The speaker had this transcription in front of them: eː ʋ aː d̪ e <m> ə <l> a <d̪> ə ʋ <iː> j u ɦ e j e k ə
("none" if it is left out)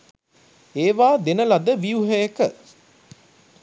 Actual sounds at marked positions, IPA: n, l, d̪, i

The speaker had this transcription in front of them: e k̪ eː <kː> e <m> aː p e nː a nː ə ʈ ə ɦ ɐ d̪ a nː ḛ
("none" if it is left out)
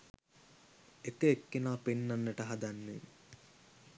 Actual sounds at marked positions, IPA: kː, n

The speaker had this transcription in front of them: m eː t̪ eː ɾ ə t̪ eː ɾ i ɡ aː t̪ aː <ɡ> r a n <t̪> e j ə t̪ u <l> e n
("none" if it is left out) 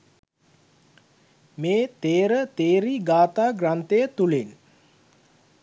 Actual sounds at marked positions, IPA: ɡ, t̪, l

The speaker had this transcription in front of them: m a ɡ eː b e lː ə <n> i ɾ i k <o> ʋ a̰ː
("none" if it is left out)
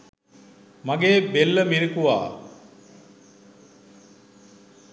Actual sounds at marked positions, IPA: m, u

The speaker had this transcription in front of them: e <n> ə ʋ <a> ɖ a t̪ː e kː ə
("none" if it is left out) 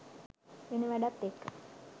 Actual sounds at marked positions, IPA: n, æ

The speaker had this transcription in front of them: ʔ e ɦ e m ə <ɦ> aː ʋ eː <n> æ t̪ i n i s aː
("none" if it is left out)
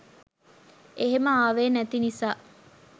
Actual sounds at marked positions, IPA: none, n

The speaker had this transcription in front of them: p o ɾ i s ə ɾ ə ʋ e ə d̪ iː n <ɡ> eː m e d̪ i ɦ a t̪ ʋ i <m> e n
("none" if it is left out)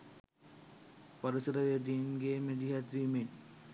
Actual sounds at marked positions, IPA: ɡ, m

